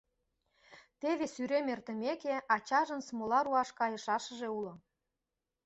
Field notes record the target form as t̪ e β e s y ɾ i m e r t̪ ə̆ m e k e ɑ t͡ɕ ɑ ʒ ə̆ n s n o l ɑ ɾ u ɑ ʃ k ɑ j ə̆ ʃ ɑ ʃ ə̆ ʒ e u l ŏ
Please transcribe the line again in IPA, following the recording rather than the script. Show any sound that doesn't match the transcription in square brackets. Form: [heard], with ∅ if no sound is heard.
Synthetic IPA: t̪ e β e s y ɾ [e] m e r t̪ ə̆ m e k e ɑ t͡ɕ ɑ ʒ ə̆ n s [m] o l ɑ ɾ u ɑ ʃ k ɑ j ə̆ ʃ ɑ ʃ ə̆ ʒ e u l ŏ